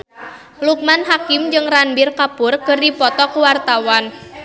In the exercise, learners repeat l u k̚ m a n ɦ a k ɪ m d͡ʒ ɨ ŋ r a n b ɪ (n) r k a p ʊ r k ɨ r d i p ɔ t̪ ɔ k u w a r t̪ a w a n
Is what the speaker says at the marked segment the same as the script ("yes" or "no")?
no